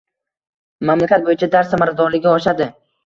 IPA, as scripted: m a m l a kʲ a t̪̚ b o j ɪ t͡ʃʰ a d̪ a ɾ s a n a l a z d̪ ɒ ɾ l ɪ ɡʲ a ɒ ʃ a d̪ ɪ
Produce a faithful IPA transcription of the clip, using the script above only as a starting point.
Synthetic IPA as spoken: m a m l a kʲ a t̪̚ b o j ɪ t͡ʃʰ a d̪ a ɾ s a m a ɾ a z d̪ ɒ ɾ l ɪ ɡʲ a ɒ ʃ a d̪ ɪ